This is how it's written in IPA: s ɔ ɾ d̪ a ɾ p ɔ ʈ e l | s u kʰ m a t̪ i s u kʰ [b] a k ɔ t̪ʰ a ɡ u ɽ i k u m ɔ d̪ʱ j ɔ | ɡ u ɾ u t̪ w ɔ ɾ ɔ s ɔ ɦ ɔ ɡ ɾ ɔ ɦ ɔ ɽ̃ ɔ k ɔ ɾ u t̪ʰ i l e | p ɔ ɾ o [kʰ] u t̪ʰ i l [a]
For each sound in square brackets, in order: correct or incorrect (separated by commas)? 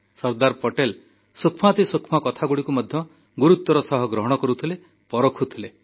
incorrect, correct, incorrect